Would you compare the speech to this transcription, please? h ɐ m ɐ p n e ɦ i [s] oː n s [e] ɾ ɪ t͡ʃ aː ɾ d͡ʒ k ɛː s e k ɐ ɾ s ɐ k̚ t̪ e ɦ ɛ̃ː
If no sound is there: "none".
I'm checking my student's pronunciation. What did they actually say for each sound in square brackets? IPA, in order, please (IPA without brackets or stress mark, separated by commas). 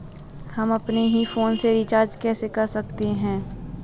f, e